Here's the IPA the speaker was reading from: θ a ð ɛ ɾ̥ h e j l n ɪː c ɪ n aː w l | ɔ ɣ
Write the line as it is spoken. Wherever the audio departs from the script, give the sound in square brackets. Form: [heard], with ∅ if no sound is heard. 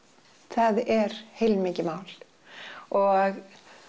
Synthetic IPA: θ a ð ɛ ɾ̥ h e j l [m] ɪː c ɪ [m] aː w l | ɔ ɣ